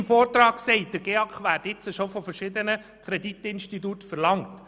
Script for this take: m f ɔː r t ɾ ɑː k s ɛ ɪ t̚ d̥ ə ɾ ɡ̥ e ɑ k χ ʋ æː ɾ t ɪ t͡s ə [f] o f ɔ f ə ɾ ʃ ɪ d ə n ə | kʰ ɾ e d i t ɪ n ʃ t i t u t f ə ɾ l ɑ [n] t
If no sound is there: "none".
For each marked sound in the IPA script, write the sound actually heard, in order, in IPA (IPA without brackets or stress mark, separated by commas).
ʃ, ŋ